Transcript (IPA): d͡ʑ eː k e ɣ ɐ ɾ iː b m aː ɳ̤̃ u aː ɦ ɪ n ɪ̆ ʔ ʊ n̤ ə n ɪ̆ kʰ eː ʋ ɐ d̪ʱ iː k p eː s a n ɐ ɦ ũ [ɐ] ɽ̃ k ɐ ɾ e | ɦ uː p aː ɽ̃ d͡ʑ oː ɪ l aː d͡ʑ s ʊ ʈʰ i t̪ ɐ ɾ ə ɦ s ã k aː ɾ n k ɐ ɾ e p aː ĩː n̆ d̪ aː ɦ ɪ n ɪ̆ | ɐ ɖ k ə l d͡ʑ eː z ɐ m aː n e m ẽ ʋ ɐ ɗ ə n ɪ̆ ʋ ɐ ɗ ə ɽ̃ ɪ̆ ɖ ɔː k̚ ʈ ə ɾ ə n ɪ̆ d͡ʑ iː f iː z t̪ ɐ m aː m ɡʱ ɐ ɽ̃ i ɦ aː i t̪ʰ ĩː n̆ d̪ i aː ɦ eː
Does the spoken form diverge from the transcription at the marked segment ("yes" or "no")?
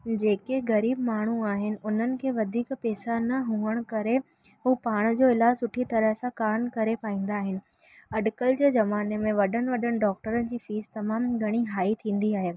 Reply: yes